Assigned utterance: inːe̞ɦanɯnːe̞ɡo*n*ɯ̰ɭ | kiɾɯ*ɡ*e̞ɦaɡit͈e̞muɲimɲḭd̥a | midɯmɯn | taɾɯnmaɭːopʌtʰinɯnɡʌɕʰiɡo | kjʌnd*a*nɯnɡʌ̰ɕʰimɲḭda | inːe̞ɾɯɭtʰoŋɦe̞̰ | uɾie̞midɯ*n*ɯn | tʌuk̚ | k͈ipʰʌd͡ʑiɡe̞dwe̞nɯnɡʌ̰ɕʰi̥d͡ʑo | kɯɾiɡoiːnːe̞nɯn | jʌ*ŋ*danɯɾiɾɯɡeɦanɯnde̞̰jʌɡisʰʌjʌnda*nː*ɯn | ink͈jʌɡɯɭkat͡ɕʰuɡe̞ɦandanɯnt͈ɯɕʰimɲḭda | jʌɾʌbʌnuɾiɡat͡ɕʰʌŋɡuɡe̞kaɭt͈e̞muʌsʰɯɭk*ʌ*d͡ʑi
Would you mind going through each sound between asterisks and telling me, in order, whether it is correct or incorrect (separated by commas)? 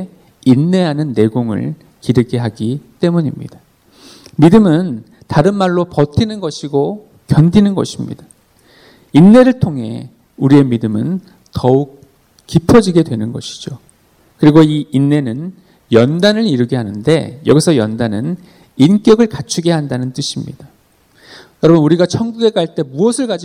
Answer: incorrect, correct, incorrect, incorrect, incorrect, incorrect, incorrect